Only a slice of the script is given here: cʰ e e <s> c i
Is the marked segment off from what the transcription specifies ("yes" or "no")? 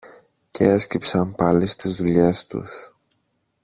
no